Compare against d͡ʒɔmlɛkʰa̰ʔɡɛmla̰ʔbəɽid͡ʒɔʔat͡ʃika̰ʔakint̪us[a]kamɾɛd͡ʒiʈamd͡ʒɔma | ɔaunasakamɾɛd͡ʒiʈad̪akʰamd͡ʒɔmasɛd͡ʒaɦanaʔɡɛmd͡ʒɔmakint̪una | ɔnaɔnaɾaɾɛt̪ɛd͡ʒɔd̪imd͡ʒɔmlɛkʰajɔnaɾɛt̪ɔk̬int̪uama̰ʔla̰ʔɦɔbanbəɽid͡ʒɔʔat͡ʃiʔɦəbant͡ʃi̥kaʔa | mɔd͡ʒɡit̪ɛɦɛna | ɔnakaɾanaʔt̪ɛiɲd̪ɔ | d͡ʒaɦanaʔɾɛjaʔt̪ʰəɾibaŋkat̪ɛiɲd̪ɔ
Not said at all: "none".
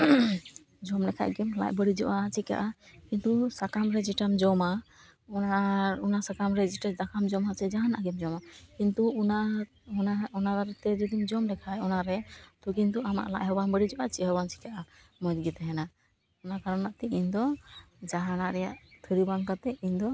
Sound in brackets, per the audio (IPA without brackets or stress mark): a